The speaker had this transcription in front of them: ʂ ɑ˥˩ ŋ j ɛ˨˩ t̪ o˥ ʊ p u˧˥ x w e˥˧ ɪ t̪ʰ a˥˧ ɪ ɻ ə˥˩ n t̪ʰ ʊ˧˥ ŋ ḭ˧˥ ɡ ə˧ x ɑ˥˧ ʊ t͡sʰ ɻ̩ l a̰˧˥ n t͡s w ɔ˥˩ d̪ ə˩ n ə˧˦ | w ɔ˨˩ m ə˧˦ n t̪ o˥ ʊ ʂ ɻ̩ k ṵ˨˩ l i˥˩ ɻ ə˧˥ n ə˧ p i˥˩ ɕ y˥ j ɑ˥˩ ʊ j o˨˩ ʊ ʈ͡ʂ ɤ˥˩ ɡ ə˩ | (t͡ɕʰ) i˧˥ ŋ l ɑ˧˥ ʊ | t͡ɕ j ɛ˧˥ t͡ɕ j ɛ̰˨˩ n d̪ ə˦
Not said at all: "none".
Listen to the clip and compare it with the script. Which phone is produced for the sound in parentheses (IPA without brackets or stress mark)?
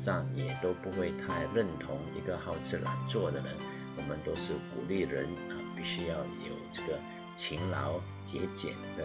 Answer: t͡ɕʰ